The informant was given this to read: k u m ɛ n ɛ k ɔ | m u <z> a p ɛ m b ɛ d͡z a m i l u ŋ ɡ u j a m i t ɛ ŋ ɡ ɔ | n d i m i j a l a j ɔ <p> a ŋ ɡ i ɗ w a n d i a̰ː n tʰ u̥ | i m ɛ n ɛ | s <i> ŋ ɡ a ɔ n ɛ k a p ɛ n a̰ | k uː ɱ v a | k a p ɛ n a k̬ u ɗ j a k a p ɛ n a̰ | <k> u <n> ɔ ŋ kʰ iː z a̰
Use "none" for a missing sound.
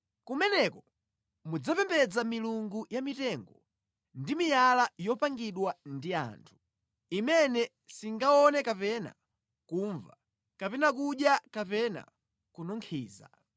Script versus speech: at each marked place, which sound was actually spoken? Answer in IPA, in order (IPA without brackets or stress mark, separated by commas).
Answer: d͡z, p, i, k, n